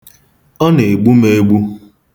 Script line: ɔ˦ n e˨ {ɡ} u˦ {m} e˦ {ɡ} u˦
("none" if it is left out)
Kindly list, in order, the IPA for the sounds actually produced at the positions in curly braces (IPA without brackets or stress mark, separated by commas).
ɡ͡b, m, ɡ͡b